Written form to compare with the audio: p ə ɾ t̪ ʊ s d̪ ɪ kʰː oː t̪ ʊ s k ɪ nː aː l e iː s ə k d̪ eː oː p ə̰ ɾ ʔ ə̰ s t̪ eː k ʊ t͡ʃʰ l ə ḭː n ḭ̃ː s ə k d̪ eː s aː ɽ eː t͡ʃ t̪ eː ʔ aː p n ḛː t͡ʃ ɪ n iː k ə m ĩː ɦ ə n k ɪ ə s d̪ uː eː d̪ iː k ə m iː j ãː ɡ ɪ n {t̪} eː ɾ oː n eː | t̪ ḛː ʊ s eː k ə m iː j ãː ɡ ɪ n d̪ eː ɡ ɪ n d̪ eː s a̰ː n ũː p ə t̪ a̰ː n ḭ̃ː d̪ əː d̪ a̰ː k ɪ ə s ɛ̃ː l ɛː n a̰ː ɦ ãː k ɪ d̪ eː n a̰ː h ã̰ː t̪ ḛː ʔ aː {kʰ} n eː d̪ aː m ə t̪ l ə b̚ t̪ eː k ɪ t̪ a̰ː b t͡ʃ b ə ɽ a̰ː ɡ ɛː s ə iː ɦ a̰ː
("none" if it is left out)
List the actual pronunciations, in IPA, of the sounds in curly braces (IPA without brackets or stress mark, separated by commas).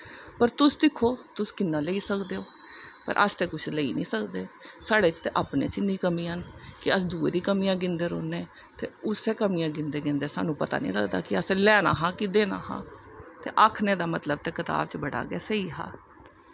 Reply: d̪, kʰ